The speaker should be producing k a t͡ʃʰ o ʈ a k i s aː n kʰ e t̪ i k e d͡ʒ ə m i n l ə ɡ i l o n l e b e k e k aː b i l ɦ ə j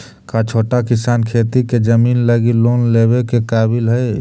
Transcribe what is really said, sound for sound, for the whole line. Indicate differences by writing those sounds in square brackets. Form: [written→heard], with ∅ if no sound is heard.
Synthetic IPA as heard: k a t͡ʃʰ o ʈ a k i s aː n kʰ e t̪ i k e d͡ʒ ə m i n l ə ɡ i l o n l e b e k e k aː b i l ɦ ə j